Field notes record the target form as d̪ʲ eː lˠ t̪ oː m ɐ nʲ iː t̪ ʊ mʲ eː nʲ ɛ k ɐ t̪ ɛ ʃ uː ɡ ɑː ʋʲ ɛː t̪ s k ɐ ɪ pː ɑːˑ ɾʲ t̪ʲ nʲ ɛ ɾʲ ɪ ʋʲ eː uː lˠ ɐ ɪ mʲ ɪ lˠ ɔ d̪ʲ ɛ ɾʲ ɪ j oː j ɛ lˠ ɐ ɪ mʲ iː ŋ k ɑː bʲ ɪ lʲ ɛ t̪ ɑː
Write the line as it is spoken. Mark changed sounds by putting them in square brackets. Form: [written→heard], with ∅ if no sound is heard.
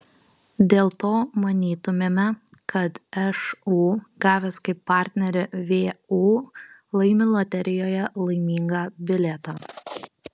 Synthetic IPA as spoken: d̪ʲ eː lˠ t̪ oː m ɐ nʲ iː t̪ ʊ mʲ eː [nʲ→mʲ] ɛ k ɐ t̪ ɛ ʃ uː ɡ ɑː ʋʲ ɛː [t̪→∅] s k ɐ ɪ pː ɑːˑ ɾʲ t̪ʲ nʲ ɛ ɾʲ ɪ ʋʲ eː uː lˠ ɐ ɪ mʲ ɪ lˠ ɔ [d̪ʲ→t̪ʲ] ɛ ɾʲ ɪ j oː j ɛ lˠ ɐ ɪ mʲ iː ŋ [k→ɡ] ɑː bʲ ɪ lʲ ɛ t̪ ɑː